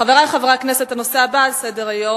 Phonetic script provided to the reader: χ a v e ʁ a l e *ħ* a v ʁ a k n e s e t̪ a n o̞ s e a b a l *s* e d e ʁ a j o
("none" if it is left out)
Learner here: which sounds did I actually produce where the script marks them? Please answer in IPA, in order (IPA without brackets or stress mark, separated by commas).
χ, s